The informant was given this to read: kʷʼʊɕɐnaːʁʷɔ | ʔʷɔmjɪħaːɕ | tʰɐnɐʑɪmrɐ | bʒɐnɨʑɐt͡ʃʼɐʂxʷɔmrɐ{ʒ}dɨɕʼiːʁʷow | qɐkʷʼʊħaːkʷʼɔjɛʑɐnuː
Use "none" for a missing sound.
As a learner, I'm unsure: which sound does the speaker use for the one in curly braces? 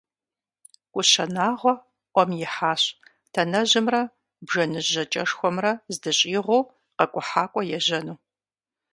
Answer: z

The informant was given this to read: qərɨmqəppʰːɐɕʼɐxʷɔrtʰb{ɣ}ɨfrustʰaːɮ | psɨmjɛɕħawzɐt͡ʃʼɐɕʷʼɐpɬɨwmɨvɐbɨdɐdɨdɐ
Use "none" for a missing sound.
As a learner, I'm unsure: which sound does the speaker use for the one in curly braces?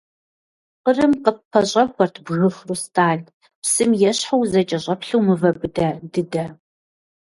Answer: ɣ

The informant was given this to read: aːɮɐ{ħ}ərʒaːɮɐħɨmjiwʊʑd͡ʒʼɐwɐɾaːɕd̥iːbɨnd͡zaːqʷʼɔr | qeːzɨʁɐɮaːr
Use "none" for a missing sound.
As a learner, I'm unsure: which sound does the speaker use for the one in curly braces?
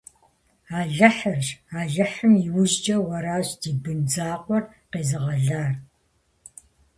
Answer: ħ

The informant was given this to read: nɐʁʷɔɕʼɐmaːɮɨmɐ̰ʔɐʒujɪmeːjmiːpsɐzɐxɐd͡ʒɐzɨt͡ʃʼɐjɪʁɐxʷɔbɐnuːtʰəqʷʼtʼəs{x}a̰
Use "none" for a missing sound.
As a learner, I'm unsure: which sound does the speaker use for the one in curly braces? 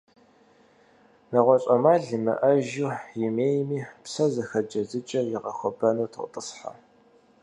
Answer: ħ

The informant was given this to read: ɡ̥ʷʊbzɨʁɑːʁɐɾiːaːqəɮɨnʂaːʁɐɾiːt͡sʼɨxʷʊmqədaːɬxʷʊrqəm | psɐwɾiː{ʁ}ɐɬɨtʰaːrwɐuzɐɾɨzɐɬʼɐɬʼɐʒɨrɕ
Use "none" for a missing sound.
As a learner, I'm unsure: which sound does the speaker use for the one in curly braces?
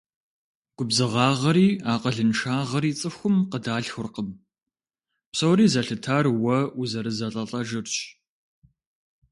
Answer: z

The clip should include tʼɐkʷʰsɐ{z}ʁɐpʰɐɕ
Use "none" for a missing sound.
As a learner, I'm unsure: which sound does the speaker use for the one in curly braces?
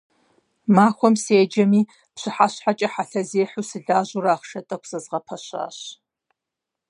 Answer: z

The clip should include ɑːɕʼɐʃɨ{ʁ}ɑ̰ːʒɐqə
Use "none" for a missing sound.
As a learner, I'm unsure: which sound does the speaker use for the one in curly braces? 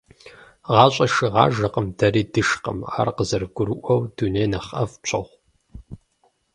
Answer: ʁ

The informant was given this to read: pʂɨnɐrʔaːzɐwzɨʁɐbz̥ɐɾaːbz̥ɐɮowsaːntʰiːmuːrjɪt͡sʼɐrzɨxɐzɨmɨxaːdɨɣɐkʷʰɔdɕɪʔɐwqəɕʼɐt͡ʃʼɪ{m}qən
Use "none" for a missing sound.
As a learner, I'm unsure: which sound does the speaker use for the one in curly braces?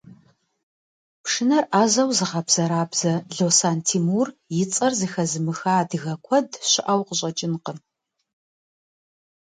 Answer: n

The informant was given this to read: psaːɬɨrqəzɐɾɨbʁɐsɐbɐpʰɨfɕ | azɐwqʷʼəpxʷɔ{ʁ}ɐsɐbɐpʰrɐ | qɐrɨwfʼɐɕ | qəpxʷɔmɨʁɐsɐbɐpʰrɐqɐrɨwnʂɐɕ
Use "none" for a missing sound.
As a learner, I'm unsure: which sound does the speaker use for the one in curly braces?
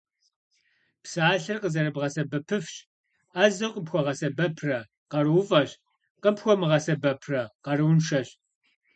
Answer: ʁ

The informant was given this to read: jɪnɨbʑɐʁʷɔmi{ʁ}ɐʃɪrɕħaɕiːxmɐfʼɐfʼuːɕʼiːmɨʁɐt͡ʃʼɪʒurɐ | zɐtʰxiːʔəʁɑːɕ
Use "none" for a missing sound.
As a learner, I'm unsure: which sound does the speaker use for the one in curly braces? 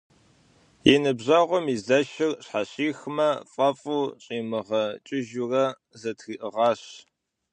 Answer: z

